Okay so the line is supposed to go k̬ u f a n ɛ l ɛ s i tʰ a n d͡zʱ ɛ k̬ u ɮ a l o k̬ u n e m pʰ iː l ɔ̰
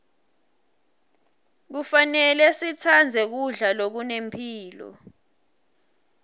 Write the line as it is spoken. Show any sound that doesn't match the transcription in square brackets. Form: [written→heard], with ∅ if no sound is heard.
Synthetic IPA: k̬ u f a n ɛ l ɛ s i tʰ a n d͡zʱ ɛ k̬ u ɮ a l o k̬ u n e m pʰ iː l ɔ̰